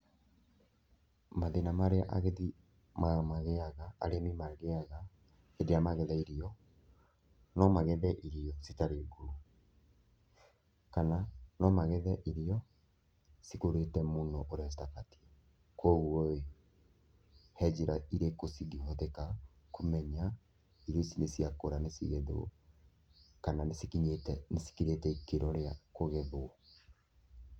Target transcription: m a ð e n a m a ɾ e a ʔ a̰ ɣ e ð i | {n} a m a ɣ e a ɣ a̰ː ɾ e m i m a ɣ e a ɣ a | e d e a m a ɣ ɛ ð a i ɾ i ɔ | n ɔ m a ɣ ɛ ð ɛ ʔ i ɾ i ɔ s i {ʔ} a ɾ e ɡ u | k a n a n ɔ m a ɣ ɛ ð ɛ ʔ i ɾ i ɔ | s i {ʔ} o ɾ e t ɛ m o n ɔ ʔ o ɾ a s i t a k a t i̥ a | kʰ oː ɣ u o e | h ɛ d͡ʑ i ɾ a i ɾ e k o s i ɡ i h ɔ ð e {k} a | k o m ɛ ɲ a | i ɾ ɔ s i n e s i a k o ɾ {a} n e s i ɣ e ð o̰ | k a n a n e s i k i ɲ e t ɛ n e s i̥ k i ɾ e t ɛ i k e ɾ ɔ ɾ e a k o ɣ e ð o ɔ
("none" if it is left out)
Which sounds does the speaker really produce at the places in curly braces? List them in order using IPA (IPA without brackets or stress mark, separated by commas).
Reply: m, t, k, k, a